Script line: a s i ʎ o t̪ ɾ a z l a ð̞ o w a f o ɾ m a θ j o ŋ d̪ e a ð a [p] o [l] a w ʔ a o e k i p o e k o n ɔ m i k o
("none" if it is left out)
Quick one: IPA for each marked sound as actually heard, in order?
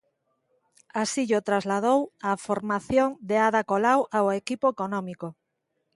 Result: k, l

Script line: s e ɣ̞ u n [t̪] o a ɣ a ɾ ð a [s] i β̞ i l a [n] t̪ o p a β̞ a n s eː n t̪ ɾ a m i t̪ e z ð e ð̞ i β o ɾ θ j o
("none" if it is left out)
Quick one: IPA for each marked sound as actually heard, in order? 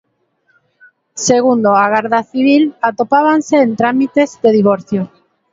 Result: d̪, θ, none

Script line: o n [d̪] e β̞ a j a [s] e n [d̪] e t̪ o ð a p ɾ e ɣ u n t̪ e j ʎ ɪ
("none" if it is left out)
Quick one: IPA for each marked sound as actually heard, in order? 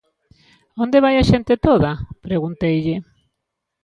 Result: d̪, ʃ, t̪

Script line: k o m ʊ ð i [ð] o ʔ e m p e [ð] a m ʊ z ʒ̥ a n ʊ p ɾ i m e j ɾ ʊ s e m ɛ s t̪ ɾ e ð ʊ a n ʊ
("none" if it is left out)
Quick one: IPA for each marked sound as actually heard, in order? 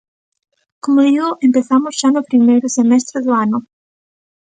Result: ɣ, θ

